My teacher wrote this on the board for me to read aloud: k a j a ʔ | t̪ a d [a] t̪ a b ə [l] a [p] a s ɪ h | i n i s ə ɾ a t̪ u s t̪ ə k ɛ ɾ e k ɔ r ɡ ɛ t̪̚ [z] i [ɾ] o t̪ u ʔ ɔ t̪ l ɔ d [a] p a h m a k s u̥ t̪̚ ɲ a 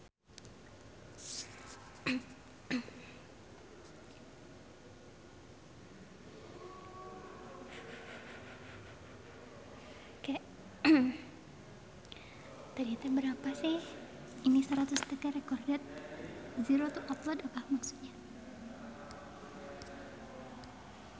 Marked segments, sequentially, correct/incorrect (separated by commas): incorrect, incorrect, correct, correct, correct, correct